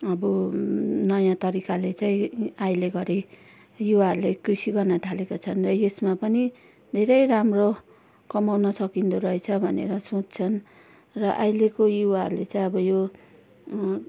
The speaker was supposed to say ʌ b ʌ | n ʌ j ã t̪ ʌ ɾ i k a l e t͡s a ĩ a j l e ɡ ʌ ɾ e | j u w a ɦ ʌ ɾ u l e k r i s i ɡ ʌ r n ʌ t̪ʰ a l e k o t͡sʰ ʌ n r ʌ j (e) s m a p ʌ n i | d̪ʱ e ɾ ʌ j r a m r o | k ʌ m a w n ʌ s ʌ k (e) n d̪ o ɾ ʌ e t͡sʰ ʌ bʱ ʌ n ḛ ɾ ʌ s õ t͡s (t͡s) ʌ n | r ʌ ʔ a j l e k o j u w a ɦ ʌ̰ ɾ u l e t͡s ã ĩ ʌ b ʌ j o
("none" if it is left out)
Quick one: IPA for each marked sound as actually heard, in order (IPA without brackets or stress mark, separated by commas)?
e, i, t͡sʰ